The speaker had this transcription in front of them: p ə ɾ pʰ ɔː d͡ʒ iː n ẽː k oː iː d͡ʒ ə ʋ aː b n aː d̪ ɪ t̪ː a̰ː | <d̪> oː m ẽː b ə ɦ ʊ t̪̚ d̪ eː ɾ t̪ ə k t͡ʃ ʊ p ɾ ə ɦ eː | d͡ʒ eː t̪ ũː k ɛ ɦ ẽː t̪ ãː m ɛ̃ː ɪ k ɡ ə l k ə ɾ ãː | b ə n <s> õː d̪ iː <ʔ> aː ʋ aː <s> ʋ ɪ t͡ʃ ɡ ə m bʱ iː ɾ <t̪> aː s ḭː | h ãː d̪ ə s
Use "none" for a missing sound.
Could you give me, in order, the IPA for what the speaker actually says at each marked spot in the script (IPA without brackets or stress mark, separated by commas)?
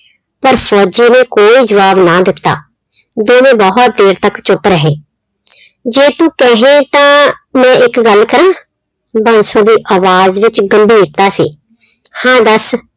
d̪, s, ʔ, z, t̪